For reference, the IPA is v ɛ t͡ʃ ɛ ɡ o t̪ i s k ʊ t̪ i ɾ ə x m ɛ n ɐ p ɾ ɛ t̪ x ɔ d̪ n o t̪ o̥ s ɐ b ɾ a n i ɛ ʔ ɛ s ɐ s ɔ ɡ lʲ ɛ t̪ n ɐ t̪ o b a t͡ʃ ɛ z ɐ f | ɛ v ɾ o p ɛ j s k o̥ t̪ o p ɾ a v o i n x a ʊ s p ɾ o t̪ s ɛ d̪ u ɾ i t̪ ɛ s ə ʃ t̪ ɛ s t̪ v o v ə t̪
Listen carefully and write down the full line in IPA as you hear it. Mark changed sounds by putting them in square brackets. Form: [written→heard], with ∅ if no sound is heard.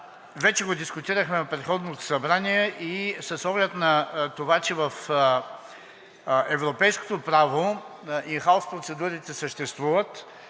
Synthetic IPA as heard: v ɛ t͡ʃ ɛ ɡ o [t̪→d̪] i s k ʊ t̪ i ɾ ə x m ɛ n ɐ p ɾ ɛ t̪ x ɔ d̪ n o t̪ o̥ s ɐ b ɾ a n i ɛ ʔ [ɛ→i] s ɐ s ɔ ɡ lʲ ɛ t̪ n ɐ t̪ o [b→v] a t͡ʃ ɛ [z→v] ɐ f | ɛ v ɾ o p ɛ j s k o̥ t̪ o p ɾ a v o i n x a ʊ s p ɾ o t̪ s ɛ d̪ u ɾ i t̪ ɛ s ə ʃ t̪ ɛ s t̪ v [o→u] v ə t̪